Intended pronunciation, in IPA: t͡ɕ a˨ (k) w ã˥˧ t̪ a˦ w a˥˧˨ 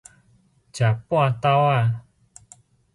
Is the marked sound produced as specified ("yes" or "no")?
no